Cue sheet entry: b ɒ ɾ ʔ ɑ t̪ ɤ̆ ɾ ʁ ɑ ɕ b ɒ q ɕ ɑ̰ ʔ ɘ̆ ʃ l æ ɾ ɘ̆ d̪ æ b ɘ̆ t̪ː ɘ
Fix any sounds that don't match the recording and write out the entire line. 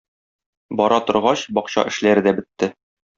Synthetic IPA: b ɒ ɾ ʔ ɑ t̪ ŏ ɾ ʁ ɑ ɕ b ɒ q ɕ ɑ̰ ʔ ɘ̆ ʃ l æ ɾ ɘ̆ d̪ æ b ɘ̆ t̪ː ɘ